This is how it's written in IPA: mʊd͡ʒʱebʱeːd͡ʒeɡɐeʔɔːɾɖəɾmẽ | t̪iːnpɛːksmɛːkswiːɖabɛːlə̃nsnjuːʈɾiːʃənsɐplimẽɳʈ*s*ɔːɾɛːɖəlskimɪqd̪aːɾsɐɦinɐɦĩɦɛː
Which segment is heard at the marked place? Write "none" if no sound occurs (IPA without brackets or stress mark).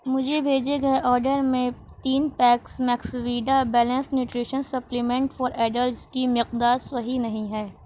f